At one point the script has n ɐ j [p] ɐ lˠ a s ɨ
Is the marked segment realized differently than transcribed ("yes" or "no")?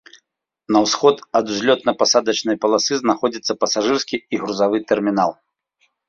no